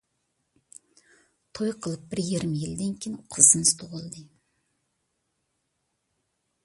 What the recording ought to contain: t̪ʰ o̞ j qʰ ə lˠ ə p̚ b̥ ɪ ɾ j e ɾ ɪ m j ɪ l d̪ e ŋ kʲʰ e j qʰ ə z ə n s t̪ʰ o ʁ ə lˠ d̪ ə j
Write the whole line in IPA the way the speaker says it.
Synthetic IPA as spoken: t̪ʰ o̞ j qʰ ə lˠ ə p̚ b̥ ɪ ɾ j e ɾ ɪ m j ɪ l d̪ e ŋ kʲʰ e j qʰ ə z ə n s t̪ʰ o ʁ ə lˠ d̪ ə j